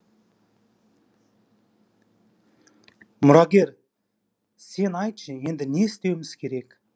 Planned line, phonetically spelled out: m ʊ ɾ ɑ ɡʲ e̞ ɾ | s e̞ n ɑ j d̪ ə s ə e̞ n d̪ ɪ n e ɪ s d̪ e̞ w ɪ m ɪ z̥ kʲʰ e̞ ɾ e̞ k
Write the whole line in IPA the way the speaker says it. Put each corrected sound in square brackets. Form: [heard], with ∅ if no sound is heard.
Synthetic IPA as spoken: m ʊ ɾ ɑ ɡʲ e̞ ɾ | s e̞ n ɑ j [t̪] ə [ʃ] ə e̞ n d̪ ɪ n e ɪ s [t̪] e̞ w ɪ m ɪ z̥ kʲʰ e̞ ɾ e̞ k